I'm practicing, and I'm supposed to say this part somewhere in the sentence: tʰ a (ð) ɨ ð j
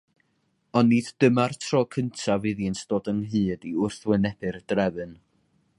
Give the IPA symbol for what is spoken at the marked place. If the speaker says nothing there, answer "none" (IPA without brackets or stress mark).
v